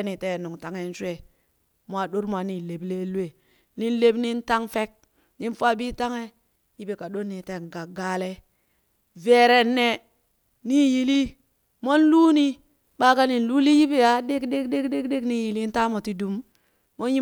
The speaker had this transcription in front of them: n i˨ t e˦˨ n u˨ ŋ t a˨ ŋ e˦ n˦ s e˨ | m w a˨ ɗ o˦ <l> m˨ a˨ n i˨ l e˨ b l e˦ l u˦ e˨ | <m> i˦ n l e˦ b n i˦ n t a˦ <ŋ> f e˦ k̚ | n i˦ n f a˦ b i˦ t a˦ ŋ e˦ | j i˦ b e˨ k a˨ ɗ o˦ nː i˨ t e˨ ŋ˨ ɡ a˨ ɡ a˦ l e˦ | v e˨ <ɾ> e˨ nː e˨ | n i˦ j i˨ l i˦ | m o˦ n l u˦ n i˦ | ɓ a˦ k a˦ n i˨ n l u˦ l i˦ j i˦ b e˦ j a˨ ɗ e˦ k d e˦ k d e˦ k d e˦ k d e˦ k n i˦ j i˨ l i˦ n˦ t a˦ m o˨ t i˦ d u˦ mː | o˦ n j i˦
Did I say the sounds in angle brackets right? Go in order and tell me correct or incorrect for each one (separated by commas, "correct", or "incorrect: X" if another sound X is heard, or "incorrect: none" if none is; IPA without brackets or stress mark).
incorrect: ɾ, incorrect: n, correct, correct